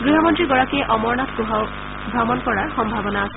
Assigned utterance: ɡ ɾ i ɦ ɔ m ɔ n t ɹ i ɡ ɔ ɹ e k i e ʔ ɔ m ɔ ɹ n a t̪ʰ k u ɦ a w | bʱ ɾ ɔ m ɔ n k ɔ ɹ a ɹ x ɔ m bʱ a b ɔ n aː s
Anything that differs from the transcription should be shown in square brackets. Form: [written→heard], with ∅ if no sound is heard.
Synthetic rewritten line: ɡ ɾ i ɦ ɔ m ɔ n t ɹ i ɡ ɔ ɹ [e→a] k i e ʔ ɔ m ɔ ɹ n a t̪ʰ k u ɦ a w | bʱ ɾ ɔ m ɔ n k ɔ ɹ a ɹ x ɔ m bʱ a b ɔ n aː s